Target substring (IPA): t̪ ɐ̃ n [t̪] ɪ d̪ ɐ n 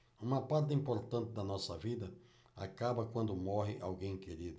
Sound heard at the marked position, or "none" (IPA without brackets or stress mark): t̪